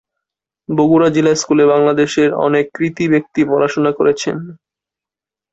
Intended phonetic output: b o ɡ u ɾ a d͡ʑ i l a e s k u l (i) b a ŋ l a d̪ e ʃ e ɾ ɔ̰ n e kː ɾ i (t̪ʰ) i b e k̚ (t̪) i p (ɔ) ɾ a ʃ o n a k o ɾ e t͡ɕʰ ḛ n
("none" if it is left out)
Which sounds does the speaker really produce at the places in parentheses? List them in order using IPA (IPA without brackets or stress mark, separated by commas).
e, t̪, t̪, ɔ